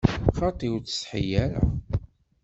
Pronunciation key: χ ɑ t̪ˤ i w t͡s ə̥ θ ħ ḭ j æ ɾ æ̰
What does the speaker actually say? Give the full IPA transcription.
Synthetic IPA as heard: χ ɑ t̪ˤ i w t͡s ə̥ s ħ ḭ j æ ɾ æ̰

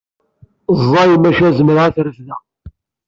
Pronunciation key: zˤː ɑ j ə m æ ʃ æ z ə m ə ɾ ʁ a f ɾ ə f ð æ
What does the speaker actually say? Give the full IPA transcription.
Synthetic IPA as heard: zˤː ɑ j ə m æ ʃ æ z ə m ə ɾ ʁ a θ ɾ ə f ð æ

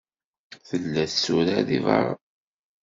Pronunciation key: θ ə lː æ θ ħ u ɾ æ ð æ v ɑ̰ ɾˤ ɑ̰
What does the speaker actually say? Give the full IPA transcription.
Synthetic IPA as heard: θ ə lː æ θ s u ɾ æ ð i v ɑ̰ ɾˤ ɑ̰

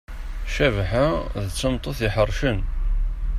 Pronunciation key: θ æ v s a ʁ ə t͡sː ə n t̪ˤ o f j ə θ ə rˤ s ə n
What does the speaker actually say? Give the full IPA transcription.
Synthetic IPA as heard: ʃ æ v ħ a ð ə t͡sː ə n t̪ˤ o θ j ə ħ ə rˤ ʃ ə n

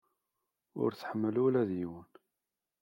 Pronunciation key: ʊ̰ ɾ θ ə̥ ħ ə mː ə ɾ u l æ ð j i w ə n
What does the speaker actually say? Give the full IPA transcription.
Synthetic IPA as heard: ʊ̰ ɾ θ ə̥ ħ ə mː ə l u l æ ð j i w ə n

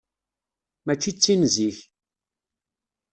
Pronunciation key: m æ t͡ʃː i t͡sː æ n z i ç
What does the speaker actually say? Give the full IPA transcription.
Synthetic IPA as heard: m æ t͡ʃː i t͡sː i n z i ç

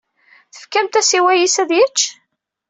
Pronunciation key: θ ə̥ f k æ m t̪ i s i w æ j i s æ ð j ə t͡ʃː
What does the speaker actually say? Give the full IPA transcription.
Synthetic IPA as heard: θ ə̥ f k æ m t̪ æ s i w æ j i s æ ð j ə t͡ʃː

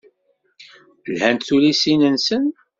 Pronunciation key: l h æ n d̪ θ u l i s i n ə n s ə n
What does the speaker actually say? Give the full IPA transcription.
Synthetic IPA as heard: l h æ n t̪ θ u l i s i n ə n s ə n

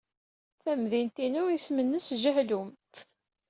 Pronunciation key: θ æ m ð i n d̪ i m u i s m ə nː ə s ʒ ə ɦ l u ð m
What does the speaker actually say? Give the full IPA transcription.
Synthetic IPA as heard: θ æ m ð i n t̪ i n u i s m ə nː ə s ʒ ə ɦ l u m

